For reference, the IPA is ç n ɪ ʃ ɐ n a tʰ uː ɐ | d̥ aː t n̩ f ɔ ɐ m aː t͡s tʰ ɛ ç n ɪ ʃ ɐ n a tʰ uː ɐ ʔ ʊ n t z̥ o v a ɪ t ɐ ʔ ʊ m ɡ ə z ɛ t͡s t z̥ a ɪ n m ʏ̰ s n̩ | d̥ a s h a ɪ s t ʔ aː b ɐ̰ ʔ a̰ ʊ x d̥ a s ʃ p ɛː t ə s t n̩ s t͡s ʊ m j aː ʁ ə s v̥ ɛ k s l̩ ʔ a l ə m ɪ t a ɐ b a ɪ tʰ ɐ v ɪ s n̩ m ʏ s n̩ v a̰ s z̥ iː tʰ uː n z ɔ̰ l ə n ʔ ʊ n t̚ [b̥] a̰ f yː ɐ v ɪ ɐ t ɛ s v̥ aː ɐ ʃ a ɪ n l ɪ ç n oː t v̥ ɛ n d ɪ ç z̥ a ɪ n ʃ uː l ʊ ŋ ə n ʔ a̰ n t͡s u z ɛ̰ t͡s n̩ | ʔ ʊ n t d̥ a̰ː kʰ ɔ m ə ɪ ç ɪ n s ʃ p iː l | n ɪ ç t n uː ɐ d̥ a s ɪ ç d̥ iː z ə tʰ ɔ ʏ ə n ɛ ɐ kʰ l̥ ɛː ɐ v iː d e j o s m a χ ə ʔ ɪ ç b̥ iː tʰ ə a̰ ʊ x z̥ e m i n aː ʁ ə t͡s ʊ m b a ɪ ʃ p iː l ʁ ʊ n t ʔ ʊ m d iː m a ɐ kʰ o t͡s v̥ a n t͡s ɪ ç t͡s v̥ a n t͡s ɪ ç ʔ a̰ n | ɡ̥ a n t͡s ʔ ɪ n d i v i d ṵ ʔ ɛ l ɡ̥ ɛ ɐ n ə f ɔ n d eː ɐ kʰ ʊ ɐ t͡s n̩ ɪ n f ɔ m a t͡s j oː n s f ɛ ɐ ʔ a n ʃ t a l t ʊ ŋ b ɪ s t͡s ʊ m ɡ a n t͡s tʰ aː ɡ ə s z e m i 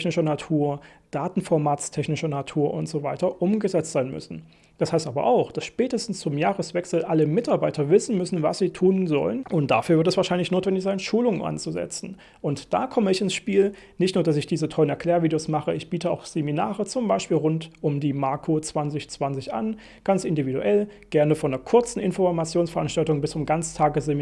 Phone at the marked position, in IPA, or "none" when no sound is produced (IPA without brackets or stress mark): d̥